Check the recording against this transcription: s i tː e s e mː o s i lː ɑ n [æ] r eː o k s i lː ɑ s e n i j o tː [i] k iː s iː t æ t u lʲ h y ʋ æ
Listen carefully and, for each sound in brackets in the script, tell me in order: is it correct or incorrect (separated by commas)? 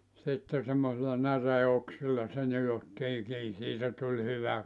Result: correct, incorrect